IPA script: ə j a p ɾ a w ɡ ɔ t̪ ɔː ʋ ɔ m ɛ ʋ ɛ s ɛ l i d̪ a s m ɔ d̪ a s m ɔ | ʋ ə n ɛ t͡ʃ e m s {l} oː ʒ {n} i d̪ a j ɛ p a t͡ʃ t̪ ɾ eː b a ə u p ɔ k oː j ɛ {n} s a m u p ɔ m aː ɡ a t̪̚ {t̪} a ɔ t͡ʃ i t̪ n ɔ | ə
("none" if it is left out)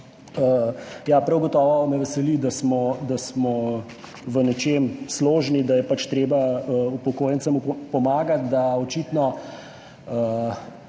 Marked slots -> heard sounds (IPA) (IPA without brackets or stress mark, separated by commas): l, n, n, d̪